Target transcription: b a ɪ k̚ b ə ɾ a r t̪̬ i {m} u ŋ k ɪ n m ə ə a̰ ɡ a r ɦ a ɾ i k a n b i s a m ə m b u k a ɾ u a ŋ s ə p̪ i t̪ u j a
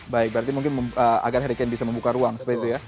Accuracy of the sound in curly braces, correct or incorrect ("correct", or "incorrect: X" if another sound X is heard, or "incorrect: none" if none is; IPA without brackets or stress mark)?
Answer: correct